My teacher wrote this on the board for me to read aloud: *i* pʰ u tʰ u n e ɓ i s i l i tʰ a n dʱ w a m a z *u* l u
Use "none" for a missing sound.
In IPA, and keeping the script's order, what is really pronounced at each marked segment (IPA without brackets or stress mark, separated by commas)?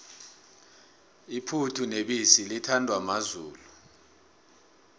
i, uː